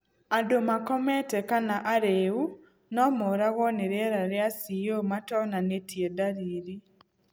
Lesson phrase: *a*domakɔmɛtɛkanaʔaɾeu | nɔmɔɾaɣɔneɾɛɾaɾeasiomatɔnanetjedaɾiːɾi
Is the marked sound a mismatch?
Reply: no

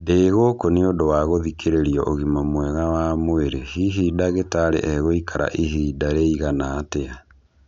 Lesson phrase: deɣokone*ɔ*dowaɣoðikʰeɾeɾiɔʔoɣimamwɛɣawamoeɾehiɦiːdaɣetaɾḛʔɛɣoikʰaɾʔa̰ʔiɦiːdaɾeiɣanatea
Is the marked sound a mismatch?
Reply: yes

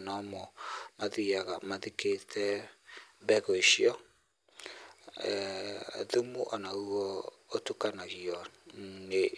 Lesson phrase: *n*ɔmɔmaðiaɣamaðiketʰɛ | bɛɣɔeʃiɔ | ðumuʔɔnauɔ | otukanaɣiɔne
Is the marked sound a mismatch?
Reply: no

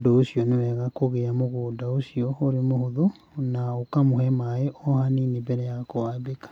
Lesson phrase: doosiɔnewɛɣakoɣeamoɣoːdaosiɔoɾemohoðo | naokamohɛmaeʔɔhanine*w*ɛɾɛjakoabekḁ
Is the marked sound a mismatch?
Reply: yes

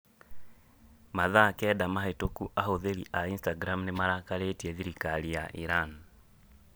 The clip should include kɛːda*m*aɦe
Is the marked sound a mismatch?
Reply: no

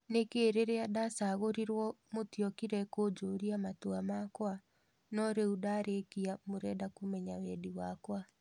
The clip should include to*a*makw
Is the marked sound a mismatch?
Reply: no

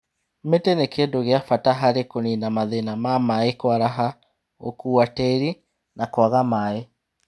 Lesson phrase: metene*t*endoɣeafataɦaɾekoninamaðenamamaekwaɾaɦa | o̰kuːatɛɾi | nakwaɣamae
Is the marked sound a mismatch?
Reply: yes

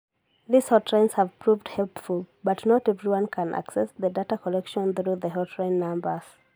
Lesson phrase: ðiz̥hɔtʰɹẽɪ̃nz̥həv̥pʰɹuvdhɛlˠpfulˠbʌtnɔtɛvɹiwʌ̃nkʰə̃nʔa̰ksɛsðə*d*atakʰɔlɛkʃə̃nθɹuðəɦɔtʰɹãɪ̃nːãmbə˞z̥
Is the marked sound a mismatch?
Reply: no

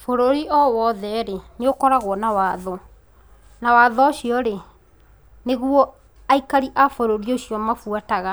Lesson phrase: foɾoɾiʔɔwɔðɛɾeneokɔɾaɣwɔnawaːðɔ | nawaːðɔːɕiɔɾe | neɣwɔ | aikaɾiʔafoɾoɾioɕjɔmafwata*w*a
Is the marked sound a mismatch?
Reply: yes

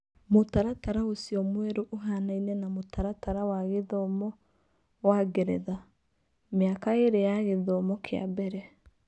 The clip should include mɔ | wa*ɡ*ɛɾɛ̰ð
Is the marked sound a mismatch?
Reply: no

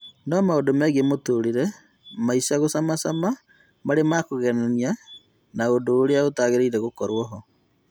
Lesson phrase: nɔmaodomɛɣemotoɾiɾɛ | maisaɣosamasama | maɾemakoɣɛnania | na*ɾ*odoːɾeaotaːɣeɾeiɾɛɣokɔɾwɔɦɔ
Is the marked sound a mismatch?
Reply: yes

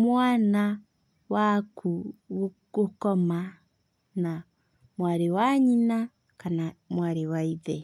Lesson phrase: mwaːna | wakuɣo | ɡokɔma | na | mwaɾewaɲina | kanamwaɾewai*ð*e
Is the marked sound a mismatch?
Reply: no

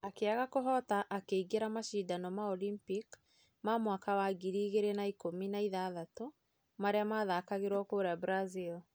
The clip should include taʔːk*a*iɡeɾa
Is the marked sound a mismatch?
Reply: yes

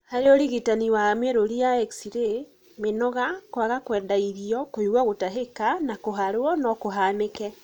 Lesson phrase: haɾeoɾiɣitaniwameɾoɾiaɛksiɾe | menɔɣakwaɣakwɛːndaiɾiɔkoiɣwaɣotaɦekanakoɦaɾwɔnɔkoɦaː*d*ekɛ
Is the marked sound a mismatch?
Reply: yes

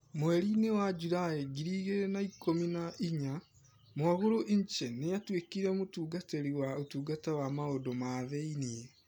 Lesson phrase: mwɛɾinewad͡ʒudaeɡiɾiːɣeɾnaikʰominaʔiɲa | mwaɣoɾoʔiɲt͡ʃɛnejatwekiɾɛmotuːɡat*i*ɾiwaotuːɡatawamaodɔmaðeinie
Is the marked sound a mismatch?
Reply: yes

